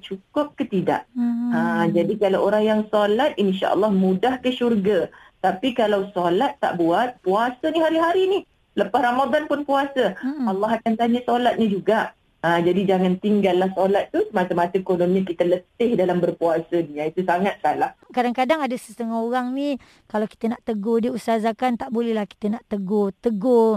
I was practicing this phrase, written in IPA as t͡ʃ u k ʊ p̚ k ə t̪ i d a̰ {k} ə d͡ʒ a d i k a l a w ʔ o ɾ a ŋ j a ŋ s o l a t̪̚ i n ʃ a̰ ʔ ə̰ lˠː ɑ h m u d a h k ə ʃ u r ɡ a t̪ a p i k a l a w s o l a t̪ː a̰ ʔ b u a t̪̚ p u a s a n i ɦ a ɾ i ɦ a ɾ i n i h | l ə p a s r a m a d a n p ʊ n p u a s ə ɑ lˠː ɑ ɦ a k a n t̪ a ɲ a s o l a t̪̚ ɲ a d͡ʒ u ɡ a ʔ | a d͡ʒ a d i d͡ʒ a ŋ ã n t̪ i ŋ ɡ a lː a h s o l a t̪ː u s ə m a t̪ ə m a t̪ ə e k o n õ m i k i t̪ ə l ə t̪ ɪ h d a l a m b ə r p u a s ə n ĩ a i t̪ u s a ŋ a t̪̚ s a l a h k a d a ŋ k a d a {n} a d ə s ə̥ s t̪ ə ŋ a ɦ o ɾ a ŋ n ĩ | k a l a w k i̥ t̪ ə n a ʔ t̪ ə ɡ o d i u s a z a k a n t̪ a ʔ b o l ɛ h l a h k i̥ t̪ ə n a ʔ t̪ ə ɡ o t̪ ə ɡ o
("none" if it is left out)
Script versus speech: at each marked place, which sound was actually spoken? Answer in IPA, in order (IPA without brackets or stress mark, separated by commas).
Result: ʔ, ŋ